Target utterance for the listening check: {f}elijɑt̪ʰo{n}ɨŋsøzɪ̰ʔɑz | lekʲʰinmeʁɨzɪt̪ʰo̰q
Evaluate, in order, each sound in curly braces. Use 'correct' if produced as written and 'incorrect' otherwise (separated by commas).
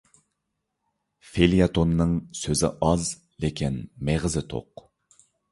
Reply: correct, incorrect